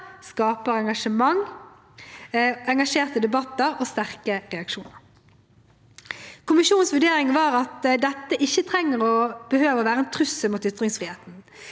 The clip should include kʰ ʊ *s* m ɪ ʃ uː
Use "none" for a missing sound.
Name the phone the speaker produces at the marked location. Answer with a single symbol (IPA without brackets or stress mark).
none